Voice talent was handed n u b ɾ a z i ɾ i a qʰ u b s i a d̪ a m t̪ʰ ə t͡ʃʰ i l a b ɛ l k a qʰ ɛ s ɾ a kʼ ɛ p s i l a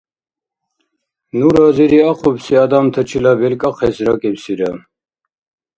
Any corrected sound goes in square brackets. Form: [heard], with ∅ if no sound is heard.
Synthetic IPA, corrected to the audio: n u [∅] ɾ a z i ɾ i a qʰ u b s i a d̪ a m t̪ʰ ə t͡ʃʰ i l a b ɛ l [kʼ] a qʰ ɛ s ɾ a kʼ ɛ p s i [ɾ] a